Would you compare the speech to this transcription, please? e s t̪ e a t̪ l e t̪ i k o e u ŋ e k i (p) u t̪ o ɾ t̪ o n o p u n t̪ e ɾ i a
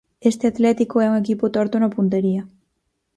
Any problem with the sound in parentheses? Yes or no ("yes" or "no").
no